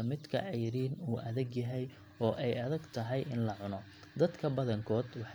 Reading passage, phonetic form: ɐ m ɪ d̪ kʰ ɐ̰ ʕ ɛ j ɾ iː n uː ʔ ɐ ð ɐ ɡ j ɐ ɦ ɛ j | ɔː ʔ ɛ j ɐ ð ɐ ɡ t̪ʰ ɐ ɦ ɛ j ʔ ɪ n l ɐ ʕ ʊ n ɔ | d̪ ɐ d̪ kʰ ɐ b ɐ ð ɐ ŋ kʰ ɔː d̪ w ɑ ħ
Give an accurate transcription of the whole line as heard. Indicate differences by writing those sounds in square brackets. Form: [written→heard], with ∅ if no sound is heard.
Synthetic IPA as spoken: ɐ m ɪ d̪ kʰ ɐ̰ ʕ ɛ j ɾ iː n uː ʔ ɐ ð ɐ ɡ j ɐ ɦ ɛ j | ɔː ʔ ɛ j ɐ ð ɐ ɡ t̪ʰ ɐ ɦ ɛ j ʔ ɪ n l ɐ ʕ ʊ n ɔ | d̪ ɐ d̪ kʰ ɐ b ɐ ð ɐ ŋ kʰ ɔː d̪ w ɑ ħ